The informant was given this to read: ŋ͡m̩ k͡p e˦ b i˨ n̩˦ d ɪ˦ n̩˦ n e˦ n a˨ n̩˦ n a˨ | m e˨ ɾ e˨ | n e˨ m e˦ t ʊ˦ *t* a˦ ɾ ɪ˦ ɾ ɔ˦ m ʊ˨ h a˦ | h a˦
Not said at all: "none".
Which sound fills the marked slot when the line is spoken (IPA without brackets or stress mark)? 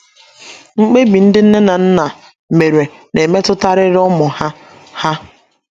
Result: t